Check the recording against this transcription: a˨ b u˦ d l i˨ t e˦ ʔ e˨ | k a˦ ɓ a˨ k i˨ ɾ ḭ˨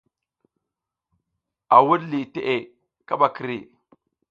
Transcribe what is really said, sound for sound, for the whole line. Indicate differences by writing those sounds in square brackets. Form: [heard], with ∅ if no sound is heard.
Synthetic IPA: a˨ [w] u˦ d l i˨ t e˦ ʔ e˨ | k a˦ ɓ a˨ k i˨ ɾ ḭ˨